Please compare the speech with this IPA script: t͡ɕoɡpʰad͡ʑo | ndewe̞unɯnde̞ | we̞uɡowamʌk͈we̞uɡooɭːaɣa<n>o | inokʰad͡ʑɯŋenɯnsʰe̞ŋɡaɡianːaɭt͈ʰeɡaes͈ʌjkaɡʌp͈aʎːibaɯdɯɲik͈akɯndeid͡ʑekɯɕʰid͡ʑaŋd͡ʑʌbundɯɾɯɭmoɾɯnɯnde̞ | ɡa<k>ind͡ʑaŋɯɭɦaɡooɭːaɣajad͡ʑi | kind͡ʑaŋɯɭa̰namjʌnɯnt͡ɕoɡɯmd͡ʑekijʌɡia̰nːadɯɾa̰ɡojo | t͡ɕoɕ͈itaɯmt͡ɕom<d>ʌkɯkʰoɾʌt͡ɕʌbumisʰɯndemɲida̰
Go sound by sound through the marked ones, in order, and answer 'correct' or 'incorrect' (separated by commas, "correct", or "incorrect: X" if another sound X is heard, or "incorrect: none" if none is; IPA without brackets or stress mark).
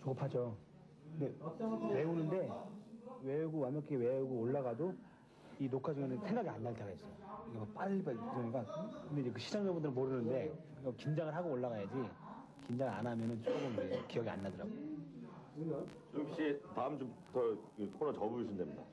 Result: incorrect: d, correct, incorrect: t